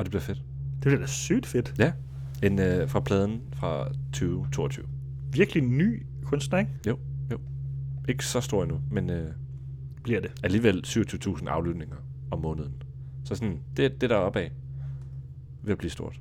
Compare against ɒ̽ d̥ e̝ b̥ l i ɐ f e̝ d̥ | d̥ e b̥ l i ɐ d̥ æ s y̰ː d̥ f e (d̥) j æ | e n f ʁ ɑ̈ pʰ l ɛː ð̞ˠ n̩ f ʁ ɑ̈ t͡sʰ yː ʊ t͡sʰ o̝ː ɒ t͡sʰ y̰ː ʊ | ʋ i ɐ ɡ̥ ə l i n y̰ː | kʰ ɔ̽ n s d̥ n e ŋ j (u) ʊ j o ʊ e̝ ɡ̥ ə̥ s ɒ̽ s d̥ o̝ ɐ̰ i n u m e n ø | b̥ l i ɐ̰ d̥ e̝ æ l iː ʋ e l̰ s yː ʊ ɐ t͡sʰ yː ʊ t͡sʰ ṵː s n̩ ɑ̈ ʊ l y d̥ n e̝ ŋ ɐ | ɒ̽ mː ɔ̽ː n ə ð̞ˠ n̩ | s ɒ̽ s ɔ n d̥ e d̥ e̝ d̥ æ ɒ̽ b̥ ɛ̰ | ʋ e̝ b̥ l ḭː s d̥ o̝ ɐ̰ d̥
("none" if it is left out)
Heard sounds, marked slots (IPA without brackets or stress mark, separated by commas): d̥, o